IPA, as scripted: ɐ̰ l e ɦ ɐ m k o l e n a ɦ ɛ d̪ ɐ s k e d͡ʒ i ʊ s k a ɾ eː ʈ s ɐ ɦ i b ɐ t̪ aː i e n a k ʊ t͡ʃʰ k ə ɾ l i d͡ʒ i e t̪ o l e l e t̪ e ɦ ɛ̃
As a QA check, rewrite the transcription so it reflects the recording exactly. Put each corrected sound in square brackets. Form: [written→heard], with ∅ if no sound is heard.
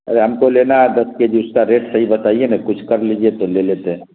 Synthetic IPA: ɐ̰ [l→ɾ] e ɦ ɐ m k o l e n a ɦ ɛ d̪ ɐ s k e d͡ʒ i ʊ s k a ɾ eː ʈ s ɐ ɦ i b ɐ t̪ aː i e n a k ʊ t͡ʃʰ k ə ɾ l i d͡ʒ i e t̪ o l e l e t̪ e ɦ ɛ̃